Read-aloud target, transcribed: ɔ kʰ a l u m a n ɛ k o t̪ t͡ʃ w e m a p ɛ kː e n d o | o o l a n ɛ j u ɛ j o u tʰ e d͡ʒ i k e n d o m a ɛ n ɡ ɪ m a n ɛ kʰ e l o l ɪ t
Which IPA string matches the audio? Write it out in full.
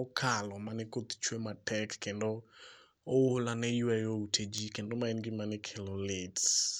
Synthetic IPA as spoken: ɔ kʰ a l ɔ m a n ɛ k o t̪ t͡ʃ w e m a t ɛ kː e n d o | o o l a n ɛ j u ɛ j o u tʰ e d͡ʒ i k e n d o m a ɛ n ɡ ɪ m a n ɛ kʰ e l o l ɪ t